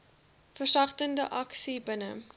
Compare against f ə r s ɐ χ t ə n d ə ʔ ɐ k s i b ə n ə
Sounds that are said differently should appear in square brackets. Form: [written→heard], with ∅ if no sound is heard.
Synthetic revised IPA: f ə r s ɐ χ t ə n d ə ʔ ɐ k s i b ə n ə